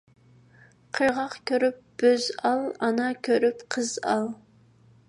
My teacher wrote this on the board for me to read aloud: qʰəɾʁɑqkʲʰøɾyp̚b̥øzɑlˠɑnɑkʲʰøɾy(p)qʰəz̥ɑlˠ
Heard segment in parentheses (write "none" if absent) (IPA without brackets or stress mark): p